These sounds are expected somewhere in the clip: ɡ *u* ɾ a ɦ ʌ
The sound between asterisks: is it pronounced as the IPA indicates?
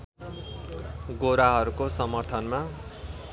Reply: no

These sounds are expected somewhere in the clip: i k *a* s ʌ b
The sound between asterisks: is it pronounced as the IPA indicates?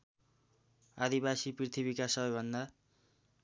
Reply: yes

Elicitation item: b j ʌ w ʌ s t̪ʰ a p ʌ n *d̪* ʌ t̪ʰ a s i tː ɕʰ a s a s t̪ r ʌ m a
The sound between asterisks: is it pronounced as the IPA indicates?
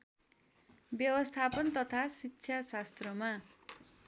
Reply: no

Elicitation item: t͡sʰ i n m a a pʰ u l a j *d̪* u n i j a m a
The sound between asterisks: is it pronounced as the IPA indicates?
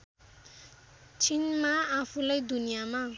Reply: yes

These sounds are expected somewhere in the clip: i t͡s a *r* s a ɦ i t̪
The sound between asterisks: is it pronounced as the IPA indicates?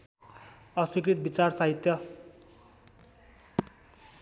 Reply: yes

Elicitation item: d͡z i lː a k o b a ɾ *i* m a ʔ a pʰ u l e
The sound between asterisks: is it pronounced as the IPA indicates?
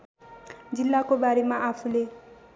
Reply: no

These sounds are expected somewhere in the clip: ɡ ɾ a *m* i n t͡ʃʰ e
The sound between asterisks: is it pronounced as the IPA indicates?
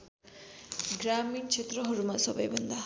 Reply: yes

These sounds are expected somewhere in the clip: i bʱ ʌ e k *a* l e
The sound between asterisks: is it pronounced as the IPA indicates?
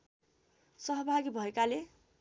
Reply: yes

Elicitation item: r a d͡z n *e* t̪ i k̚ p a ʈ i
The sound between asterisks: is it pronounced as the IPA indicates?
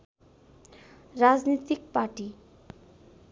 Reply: no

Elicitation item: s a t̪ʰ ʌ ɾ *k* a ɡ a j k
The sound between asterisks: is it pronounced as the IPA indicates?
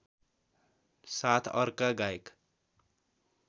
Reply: yes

